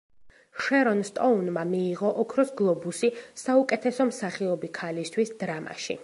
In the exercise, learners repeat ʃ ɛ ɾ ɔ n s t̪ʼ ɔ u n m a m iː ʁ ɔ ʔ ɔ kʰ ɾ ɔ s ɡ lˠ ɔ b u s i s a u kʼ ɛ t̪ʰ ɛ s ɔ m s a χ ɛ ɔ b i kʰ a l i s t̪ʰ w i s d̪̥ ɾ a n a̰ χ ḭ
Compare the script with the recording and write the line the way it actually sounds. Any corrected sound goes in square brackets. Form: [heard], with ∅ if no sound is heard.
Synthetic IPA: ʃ ɛ ɾ ɔ n s t̪ʼ ɔ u n m a m iː ʁ ɔ ʔ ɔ kʰ ɾ ɔ s ɡ lˠ ɔ b u s i s a u kʼ ɛ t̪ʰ ɛ s ɔ m s a χ [i] ɔ b i kʰ a l i s t̪ʰ w i s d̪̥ ɾ a [m] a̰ [ʃ] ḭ